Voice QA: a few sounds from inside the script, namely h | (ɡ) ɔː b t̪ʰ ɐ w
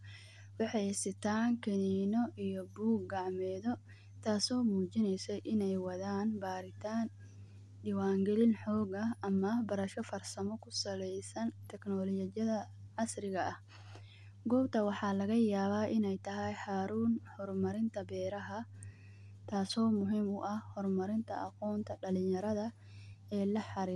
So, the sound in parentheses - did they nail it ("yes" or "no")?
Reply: yes